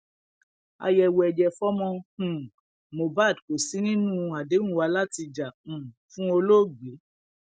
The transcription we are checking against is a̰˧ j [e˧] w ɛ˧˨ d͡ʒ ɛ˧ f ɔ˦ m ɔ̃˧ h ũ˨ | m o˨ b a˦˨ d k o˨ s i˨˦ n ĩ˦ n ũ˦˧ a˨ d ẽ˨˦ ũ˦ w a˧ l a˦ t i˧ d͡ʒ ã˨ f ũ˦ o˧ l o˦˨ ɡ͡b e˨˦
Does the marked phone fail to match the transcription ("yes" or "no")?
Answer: yes